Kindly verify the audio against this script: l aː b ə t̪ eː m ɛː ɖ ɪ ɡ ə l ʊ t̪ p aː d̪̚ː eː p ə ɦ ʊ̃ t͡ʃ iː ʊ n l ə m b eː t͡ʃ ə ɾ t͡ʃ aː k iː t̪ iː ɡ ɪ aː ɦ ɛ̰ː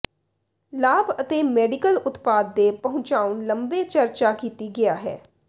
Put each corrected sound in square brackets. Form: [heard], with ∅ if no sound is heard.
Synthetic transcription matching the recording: l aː b ə t̪ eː m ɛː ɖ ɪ [k] ə l ʊ t̪ p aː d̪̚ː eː p ə ɦ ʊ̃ t͡ʃ [aː] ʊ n l ə m b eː t͡ʃ ə ɾ t͡ʃ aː k iː t̪ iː ɡ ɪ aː ɦ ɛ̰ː